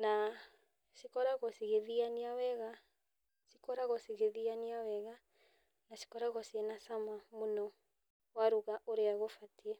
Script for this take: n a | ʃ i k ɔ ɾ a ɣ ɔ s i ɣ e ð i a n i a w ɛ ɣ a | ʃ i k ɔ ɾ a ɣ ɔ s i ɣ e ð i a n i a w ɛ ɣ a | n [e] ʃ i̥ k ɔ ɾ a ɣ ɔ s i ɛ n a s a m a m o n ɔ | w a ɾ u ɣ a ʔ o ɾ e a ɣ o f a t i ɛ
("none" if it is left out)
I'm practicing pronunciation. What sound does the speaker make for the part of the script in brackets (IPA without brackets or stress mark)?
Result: a